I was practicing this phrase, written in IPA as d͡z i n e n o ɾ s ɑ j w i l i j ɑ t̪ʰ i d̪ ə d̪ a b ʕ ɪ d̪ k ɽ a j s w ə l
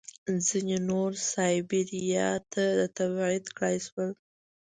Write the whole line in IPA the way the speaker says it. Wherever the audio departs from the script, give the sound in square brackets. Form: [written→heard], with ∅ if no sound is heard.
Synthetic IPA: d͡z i n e n o ɾ s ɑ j [w→b] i [l→ɾ] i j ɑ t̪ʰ [i→a] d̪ ə [d̪→t̪] a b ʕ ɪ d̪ k ɽ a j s w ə l